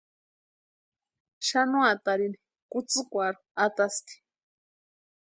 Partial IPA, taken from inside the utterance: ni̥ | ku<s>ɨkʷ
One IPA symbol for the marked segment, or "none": t͡s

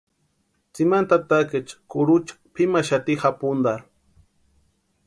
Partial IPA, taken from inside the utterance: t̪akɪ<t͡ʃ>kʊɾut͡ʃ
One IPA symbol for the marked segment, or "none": t͡ʃ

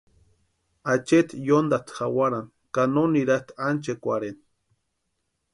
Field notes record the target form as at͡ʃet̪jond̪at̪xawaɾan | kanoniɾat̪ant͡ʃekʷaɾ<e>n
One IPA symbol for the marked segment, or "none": e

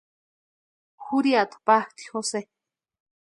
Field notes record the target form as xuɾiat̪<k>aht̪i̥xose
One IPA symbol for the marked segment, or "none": p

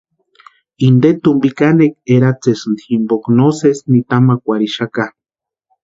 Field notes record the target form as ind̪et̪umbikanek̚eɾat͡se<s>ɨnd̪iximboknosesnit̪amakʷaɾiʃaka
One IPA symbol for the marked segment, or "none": s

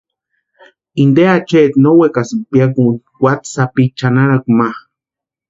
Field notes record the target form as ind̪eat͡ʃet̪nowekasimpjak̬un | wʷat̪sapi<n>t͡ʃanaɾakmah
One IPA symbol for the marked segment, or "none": none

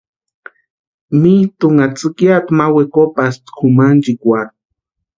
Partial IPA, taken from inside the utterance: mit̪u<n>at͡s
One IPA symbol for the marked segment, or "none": ŋ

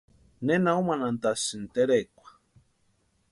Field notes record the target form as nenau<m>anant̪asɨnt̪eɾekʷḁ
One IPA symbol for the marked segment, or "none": m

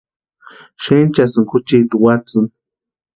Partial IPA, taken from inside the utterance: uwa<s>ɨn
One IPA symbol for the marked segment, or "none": t͡s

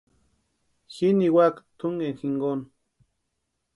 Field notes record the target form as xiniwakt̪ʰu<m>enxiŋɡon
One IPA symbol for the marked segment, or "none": ŋ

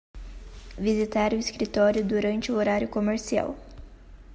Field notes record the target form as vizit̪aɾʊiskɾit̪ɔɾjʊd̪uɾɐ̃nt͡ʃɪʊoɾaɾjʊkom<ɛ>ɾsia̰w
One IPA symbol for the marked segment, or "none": e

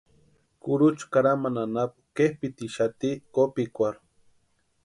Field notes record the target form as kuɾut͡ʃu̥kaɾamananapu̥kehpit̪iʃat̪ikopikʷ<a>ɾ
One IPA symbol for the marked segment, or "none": a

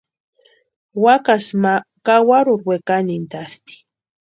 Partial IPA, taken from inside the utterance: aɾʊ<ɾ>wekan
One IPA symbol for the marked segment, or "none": ɾ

